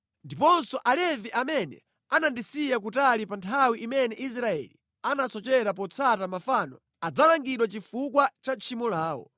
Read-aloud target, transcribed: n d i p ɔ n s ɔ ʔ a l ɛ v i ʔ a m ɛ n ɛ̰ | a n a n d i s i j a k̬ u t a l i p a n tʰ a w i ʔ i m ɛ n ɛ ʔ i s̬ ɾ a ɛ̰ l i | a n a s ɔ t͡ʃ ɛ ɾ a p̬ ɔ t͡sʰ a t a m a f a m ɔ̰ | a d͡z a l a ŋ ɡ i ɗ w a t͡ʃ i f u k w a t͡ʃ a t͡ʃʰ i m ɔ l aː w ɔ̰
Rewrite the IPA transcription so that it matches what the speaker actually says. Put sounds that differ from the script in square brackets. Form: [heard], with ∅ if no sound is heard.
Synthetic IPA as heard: n d i p ɔ n s ɔ ʔ a l ɛ v i ʔ a m ɛ n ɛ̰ | a n a n d i s i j a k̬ u t a l i p a n tʰ a w i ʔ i m ɛ n ɛ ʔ i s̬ ɾ a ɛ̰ l i | a n a s ɔ t͡ʃ ɛ ɾ a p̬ ɔ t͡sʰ a t a m a f a [n] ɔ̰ | a d͡z a l a ŋ ɡ i ɗ w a t͡ʃ i f u k w a t͡ʃ a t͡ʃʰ i m ɔ l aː w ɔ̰